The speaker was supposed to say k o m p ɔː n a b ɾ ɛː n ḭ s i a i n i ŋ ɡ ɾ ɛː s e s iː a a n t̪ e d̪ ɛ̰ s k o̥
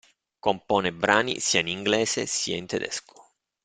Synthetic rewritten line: k o m p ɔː n e b ɾ aː n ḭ s i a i n i ŋ ɡ l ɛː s e s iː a i n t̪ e d̪ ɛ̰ s k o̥